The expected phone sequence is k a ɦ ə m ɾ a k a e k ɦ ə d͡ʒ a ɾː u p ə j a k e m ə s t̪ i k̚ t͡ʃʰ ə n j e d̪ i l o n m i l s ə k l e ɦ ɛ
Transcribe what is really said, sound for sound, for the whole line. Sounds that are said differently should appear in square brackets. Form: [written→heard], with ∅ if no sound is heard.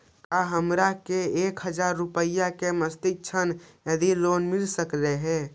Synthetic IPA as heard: k a ɦ ə m ɾ a k [a→e] e k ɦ ə d͡ʒ a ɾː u p ə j a k e m ə s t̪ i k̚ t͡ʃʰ ə n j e d̪ i l o n m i l s ə k l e ɦ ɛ